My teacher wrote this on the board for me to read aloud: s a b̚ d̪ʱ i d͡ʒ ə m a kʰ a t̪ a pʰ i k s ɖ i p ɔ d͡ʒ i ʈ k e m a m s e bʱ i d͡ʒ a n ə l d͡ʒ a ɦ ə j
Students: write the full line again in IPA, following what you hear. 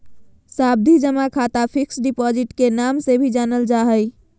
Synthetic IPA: s a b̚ d̪ʱ i d͡ʒ ə m a kʰ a t̪ a pʰ i k s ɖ i p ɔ d͡ʒ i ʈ k e n a m s e bʱ i d͡ʒ a n ə l d͡ʒ a ɦ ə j